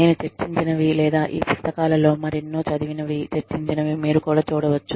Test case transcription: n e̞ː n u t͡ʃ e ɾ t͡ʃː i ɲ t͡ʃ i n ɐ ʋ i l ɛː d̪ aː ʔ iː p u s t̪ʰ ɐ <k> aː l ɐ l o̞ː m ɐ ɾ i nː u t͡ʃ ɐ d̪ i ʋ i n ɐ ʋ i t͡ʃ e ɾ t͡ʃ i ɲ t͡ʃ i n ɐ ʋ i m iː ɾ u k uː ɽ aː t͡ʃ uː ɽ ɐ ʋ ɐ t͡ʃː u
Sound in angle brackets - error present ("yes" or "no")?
no